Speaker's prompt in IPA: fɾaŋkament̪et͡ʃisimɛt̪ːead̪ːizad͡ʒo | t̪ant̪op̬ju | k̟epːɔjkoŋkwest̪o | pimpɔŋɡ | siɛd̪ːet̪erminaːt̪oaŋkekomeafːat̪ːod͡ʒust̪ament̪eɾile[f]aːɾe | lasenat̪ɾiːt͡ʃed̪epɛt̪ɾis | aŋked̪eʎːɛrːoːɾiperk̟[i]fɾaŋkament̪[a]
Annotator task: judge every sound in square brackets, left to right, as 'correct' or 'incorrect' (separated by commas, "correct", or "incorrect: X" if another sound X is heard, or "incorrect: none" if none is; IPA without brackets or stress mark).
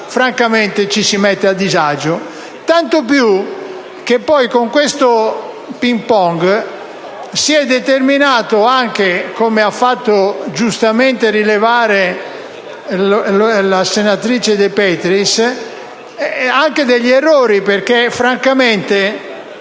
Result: incorrect: v, incorrect: e, incorrect: e